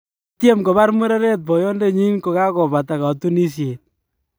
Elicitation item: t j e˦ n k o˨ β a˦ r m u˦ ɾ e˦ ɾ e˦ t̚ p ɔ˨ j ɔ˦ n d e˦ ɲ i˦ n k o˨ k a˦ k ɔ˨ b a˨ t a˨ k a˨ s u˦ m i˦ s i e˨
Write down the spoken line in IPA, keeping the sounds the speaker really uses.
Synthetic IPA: t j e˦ m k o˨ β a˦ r m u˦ ɾ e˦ ɾ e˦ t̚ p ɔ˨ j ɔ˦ n d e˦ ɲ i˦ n k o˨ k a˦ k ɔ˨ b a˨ t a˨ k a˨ t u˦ n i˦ s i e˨